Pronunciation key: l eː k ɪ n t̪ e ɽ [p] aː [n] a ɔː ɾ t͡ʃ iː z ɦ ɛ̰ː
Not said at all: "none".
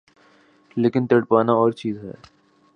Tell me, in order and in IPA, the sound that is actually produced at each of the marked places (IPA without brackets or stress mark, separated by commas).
p, n